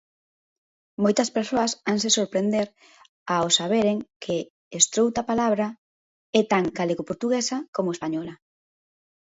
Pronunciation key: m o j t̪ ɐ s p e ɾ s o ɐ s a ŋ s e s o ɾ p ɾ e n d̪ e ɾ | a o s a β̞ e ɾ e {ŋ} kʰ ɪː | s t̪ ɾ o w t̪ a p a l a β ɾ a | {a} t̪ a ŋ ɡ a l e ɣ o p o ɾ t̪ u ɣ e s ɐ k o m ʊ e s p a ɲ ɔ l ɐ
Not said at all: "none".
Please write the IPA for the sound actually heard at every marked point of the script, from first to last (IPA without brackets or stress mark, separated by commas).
ŋ, ɛ